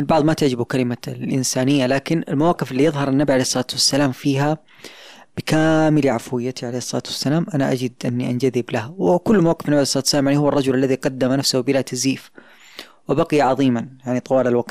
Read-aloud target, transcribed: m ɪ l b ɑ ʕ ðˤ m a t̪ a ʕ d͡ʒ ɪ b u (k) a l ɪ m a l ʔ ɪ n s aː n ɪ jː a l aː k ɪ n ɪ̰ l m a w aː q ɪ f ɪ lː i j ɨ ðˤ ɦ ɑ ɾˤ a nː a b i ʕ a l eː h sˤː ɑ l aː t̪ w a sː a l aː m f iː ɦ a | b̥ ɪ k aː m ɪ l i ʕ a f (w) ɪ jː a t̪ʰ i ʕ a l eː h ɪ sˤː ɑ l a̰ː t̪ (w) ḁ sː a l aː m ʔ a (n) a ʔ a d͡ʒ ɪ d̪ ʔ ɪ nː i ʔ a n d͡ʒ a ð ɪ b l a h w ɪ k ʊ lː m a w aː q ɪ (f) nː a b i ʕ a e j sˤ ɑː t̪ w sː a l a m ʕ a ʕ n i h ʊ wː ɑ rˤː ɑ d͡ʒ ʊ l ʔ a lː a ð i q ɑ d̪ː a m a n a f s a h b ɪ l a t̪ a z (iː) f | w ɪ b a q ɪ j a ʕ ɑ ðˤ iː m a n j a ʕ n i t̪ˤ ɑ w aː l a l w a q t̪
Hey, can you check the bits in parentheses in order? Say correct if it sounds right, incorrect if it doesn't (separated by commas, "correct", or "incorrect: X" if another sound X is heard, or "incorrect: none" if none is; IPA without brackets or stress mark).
correct, correct, correct, correct, correct, correct